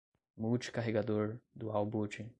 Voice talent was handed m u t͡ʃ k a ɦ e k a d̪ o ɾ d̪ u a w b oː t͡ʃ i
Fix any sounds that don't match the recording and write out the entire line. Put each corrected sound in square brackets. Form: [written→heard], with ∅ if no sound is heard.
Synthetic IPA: m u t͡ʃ k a ɦ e [k→ɡ] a d̪ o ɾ d̪ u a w b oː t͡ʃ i

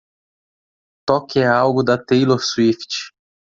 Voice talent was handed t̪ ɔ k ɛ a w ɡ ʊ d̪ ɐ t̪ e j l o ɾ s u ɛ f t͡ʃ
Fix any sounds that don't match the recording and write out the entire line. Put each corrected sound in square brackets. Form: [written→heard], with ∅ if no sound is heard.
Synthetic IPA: t̪ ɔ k ɛ a w ɡ ʊ d̪ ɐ t̪ e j l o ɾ s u [ɛ→i] f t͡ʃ

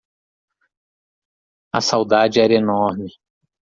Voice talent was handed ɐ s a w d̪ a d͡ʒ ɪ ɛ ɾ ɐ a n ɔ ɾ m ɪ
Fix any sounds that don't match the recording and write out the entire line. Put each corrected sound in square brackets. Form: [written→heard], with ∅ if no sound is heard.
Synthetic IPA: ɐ s a w d̪ a d͡ʒ ɪ ɛ ɾ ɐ [a→e] n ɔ ɾ m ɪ

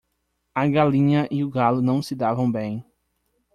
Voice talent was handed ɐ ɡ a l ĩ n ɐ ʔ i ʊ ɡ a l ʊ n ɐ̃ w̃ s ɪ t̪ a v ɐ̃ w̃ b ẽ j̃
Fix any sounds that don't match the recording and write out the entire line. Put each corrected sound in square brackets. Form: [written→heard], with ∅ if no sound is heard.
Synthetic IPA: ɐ ɡ a l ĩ [n→ɲ] ɐ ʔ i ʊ ɡ a l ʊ n ɐ̃ w̃ s ɪ [t̪→d̪] a v ɐ̃ w̃ b ẽ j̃

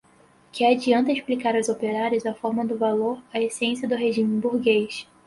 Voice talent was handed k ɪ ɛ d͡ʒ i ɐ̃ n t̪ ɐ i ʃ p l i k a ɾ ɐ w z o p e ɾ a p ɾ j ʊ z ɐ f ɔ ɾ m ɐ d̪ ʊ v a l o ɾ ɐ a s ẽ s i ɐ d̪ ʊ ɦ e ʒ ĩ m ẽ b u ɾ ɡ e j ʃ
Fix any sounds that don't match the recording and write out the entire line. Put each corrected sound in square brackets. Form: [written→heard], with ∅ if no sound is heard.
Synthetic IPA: k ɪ [ɛ→a] d͡ʒ i ɐ̃ n t̪ ɐ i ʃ p l i k a ɾ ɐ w z o p e ɾ a [p→∅] ɾ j ʊ z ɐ f ɔ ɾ m ɐ d̪ ʊ v a l o ɾ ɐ [a→e] s ẽ s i ɐ d̪ ʊ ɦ e ʒ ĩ m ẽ b u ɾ ɡ e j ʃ

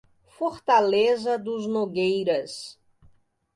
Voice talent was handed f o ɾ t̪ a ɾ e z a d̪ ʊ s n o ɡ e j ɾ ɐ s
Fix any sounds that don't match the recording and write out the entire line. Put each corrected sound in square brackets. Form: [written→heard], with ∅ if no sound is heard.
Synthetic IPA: f o ɾ t̪ a [ɾ→l] e z [a→ɐ] d̪ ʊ [s→z] n o ɡ e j ɾ ɐ s

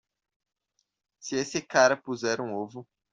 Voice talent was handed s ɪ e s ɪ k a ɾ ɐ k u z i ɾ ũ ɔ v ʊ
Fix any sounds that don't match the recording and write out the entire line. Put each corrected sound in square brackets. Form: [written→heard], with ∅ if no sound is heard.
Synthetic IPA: s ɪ e s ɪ k a ɾ ɐ [k→p] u z [i→ɛ] ɾ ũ [ɔ→o] v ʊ

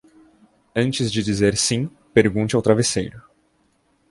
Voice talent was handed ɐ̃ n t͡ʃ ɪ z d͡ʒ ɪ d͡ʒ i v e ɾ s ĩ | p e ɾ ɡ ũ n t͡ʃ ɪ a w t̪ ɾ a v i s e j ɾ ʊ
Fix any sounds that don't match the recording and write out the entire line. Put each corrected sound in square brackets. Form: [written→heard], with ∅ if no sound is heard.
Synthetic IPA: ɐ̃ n t͡ʃ ɪ z d͡ʒ ɪ d͡ʒ i [v→z] e ɾ s ĩ | p e ɾ ɡ ũ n t͡ʃ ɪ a w t̪ ɾ a v [i→e] s e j ɾ ʊ

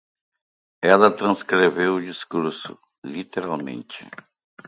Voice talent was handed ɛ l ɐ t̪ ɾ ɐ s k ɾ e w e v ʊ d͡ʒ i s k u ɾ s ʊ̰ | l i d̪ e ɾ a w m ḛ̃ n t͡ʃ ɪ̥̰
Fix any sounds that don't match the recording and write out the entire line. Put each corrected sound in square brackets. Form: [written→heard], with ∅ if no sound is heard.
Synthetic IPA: ɛ l ɐ t̪ ɾ [ɐ→ɐ̃] s k ɾ e [w→v] e [v→w] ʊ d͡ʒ i s k u ɾ s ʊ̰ | l i [d̪→t̪] e ɾ a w m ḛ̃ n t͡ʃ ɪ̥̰

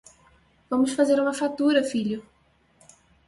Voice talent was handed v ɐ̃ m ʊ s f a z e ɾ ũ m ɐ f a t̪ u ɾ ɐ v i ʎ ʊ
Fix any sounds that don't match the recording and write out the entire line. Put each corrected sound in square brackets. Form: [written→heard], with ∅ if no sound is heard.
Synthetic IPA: v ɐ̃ m ʊ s f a z e ɾ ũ m ɐ f a t̪ u ɾ ɐ [v→f] i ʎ ʊ

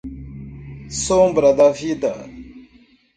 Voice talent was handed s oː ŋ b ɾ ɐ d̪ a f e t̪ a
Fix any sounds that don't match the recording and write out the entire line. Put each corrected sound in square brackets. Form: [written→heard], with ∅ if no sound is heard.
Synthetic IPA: s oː [ŋ→m] b ɾ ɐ d̪ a f [e→i] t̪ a

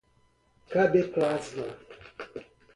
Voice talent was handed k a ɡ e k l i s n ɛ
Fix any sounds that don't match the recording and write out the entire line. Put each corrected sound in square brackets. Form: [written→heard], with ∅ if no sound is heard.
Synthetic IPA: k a [ɡ→b] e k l [i→a] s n [ɛ→a]

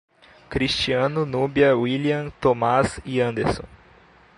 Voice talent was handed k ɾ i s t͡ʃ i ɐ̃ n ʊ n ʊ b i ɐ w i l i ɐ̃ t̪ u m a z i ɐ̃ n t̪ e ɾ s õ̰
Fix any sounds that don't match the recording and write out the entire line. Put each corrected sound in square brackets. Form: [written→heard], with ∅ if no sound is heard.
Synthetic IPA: k ɾ i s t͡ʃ i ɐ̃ n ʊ n [ʊ→u] b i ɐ w i l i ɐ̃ t̪ [u→o] m a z i ɐ̃ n [t̪→d̪] e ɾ s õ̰

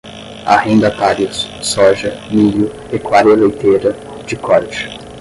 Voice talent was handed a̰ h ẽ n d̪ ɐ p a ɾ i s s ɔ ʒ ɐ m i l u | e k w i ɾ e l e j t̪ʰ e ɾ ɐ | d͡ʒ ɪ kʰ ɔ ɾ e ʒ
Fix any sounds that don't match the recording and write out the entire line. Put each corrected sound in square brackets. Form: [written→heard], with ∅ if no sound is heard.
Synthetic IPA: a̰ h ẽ n d̪ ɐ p a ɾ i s s ɔ ʒ ɐ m i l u | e k w [i→a] ɾ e l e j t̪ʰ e ɾ ɐ | d͡ʒ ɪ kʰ ɔ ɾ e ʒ

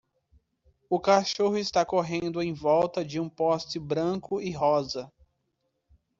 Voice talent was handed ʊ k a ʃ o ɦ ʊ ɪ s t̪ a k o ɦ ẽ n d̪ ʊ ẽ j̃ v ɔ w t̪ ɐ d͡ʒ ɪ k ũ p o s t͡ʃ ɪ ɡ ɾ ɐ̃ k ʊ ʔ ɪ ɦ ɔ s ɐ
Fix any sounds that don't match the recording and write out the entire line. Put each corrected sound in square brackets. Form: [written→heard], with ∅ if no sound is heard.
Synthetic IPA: ʊ k a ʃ o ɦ ʊ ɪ s t̪ a k o ɦ ẽ n d̪ ʊ ẽ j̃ v ɔ w t̪ ɐ d͡ʒ ɪ [k→∅] ũ p [o→ɔ] s t͡ʃ ɪ [ɡ→b] ɾ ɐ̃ k ʊ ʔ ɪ ɦ ɔ [s→z] ɐ

